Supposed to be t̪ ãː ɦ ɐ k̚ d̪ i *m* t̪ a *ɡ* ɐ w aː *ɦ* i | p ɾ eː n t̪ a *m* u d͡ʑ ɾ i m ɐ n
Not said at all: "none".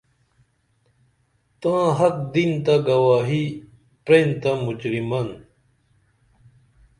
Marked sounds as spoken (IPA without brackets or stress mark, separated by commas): n, ɡ, ɦ, m